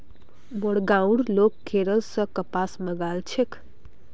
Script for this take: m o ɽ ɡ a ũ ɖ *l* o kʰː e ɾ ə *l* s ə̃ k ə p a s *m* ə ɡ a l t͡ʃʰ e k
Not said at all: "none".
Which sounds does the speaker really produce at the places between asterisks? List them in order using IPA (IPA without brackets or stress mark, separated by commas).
l, l, m